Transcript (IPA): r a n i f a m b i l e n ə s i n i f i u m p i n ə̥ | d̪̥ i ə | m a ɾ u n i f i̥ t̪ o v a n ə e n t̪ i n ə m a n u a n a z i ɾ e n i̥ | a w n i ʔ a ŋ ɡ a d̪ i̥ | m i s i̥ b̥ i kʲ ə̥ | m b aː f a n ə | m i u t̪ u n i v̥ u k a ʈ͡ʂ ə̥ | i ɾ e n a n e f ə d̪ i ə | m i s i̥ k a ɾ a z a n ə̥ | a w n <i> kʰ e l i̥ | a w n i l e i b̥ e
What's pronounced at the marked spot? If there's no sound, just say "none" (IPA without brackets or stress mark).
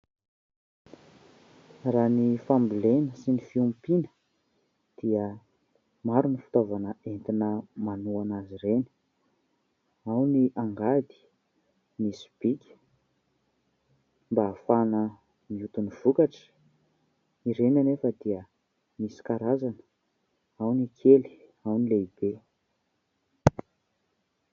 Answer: i